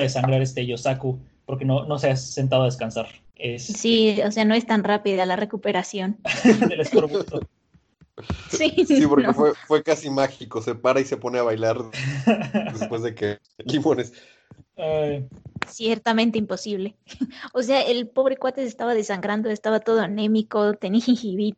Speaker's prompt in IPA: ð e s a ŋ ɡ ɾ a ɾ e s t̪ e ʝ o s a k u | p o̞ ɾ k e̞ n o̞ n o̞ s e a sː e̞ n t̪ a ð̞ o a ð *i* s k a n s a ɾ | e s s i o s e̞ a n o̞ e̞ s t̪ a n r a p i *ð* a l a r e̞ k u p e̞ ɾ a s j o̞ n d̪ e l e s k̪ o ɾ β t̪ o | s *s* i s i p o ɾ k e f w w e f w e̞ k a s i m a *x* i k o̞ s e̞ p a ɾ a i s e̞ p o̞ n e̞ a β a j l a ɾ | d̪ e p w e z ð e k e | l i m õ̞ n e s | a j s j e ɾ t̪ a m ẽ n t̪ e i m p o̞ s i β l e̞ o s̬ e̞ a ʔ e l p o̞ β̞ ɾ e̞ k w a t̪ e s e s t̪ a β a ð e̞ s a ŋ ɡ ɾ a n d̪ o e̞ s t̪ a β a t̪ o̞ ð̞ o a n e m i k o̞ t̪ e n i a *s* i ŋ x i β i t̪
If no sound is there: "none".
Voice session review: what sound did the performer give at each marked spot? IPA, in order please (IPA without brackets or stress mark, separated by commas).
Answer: e, ð, s, x, x